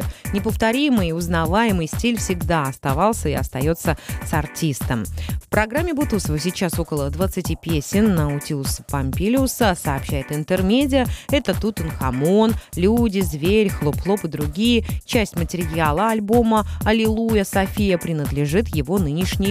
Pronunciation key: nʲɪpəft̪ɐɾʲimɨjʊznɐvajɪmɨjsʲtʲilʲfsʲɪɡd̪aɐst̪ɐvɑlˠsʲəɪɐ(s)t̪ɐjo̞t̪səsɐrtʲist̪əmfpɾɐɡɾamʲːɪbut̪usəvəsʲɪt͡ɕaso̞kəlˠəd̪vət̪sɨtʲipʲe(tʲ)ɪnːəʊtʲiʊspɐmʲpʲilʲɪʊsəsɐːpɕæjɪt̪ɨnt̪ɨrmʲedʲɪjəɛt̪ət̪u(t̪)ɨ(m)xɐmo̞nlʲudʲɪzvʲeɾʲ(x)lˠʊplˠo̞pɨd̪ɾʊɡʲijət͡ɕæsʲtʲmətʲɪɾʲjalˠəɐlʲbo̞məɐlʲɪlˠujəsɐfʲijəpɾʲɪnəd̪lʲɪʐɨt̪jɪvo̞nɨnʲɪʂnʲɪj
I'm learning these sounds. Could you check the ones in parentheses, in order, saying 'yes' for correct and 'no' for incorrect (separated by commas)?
yes, no, yes, no, yes